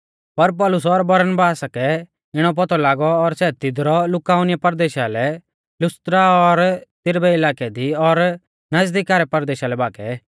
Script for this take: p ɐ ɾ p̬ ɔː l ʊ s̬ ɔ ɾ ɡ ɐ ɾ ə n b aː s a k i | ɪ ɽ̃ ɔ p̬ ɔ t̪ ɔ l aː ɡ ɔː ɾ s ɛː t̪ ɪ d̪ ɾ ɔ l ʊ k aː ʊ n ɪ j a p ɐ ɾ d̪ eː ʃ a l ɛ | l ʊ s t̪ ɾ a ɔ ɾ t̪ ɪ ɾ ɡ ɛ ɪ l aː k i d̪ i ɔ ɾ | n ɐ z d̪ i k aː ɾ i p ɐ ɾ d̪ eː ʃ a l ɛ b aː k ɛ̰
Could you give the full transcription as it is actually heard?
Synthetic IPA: p ɐ ɾ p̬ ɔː l ʊ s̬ ɔ ɾ b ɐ ɾ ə n b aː s a k ɛ | ɪ ɽ̃ ɔ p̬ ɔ t̪ ɔ l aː ɡ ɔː ɾ s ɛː t̪ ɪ d̪ ɾ ɔ l ʊ k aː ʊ n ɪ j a p ɐ ɾ d̪ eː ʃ a l ɛ | l ʊ s t̪ ɾ a ɔ ɾ t̪ ɪ ɾ b ɛ ɪ l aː k ɛ d̪ i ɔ ɾ | n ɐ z d̪ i k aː ɾ ɛ p ɐ ɾ d̪ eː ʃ a l ɛ b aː k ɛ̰